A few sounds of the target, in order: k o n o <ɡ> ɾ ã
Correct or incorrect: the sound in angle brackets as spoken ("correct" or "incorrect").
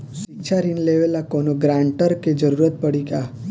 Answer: correct